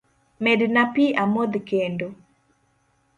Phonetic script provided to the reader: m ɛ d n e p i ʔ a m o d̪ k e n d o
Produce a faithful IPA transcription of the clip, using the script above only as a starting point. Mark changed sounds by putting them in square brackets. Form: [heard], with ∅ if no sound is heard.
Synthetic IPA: m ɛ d n [a] p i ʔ a m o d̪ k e n d o